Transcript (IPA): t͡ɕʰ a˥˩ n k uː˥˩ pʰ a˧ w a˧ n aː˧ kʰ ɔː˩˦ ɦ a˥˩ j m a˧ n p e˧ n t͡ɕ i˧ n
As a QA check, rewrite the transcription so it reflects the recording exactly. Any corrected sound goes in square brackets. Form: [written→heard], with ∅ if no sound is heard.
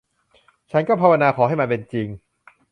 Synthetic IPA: t͡ɕʰ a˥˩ n k [uː˥˩→ɔː˥˩] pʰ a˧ w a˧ n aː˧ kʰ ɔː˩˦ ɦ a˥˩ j m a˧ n p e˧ n t͡ɕ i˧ [n→ŋ]